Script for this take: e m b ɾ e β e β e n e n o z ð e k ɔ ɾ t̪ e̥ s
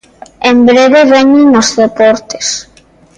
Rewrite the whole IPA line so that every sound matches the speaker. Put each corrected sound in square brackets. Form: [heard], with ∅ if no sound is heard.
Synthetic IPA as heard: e m b ɾ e β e β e [ɲ] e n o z ð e [p] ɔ ɾ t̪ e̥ s